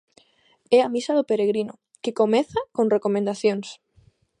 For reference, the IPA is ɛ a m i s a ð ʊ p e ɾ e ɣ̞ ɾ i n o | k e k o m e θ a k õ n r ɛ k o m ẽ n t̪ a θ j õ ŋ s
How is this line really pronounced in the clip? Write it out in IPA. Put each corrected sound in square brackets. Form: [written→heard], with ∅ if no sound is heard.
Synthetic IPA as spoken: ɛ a m i s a ð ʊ p e ɾ e ɣ̞ ɾ i n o | k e k o m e θ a k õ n r [ɛ→e] k o m ẽ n [t̪→d̪] a θ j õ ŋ s